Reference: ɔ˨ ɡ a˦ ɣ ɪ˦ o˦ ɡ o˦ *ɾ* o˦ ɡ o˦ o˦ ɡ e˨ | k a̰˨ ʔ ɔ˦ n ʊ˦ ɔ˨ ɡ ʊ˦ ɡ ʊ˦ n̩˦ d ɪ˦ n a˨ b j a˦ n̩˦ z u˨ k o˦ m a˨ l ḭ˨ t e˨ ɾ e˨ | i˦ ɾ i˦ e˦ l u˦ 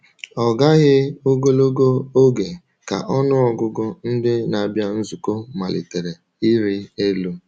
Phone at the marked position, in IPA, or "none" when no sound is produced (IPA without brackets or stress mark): l